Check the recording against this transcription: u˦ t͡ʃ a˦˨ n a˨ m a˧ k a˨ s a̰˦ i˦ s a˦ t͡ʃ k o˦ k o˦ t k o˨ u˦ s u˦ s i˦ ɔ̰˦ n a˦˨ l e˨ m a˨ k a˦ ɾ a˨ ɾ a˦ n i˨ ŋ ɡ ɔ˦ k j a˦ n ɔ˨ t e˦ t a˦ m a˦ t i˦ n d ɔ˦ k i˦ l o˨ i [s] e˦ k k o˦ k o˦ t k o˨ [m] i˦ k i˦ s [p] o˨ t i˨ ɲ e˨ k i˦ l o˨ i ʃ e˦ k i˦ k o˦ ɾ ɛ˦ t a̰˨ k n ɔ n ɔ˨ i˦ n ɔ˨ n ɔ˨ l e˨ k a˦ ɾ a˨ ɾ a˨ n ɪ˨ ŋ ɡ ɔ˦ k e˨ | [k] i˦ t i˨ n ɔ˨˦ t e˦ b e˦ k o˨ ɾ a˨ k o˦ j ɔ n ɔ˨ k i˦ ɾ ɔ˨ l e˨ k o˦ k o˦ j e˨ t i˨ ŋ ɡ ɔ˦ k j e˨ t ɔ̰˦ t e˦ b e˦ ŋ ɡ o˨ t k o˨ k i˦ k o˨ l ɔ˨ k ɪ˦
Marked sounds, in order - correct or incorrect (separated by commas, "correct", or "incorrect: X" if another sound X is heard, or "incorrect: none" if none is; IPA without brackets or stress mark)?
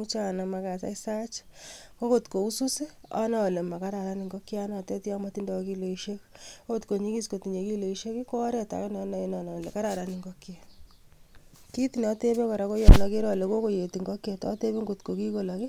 incorrect: ʃ, incorrect: ɲ, incorrect: k, correct